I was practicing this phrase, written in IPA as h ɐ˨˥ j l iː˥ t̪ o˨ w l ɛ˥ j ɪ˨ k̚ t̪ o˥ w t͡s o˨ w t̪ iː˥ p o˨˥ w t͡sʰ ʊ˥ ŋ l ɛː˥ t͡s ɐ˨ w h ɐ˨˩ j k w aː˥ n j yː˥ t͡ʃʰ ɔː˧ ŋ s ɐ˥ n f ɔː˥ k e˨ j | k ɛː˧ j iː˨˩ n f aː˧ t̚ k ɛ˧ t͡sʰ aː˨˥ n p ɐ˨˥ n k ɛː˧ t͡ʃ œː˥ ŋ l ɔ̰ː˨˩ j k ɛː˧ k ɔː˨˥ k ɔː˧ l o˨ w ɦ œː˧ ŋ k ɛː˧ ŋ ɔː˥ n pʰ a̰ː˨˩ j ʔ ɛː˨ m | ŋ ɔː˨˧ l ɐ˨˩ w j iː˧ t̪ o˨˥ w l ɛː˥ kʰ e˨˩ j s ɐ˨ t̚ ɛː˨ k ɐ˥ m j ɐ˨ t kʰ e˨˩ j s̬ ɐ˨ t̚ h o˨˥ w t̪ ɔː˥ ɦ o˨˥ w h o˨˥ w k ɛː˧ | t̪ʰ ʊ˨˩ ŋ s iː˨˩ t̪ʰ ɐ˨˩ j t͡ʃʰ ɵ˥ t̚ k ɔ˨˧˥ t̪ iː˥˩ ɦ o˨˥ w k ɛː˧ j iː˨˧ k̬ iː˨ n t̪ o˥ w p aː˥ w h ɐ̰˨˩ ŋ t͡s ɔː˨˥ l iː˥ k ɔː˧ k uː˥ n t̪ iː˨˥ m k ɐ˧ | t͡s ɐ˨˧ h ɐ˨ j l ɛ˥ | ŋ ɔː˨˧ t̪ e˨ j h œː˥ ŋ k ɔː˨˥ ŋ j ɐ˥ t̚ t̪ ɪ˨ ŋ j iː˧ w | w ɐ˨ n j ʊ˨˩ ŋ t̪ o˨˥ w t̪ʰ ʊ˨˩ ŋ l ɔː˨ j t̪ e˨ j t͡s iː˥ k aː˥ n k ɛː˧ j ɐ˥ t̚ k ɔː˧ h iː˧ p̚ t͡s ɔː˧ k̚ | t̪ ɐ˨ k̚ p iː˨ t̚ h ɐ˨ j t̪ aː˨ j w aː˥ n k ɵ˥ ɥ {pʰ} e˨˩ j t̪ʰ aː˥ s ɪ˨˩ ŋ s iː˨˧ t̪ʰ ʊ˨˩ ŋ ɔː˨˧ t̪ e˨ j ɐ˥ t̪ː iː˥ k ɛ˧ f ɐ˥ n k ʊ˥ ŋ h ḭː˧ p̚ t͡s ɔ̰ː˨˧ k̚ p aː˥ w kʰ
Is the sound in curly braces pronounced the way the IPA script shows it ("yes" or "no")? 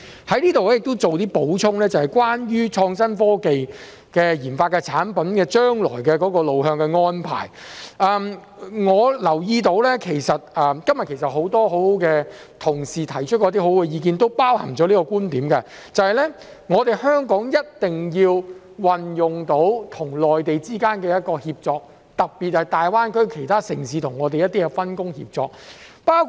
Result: no